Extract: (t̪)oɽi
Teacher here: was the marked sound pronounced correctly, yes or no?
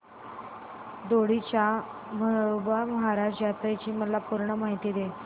no